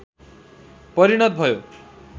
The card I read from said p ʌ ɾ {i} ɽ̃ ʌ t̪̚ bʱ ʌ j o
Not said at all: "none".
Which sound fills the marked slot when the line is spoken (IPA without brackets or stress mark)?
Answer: i